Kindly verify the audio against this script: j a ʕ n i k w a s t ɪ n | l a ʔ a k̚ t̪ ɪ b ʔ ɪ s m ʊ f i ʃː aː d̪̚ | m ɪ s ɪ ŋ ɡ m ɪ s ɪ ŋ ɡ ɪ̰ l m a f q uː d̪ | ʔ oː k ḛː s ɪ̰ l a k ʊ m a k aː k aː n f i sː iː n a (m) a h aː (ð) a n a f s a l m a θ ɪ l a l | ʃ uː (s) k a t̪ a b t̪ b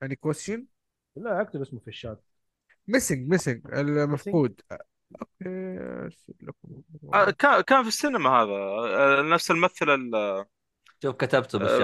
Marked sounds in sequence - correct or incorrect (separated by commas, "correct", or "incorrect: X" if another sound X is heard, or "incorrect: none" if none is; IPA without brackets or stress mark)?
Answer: correct, correct, incorrect: f